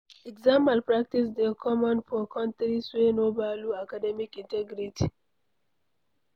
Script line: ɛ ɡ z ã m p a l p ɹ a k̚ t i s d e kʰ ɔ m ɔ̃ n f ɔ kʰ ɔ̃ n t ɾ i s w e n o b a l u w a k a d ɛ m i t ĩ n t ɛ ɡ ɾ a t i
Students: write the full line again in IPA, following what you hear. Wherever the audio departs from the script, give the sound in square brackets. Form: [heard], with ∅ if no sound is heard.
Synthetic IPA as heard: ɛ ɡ z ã m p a l p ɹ a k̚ t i s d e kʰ ɔ m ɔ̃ n f ɔ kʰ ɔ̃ n t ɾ i s w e n o b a l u [∅] a k a d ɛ m i [k] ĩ n t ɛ ɡ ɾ [i] t i